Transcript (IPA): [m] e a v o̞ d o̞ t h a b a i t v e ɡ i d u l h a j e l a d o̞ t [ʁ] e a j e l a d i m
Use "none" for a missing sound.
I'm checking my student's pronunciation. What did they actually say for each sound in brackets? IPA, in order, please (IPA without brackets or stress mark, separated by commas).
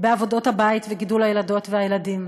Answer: b, v